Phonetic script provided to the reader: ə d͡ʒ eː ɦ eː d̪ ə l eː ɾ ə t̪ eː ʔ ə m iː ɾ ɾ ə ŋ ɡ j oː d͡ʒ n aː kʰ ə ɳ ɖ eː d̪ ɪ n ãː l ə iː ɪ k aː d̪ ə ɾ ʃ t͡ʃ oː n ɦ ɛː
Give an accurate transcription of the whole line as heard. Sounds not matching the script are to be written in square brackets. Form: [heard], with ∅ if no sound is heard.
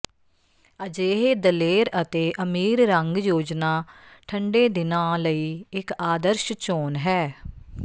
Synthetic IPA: ə d͡ʒ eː ɦ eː d̪ ə l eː ɾ ə t̪ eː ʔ ə m iː ɾ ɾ ə ŋ ɡ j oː d͡ʒ n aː [ʈʰ] ə ɳ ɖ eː d̪ ɪ n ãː l ə iː ɪ k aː d̪ ə ɾ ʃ t͡ʃ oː n ɦ ɛː